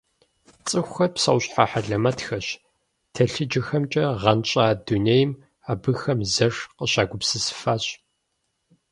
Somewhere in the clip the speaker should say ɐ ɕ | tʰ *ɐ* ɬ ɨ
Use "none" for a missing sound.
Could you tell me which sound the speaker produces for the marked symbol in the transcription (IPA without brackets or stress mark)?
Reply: ɐ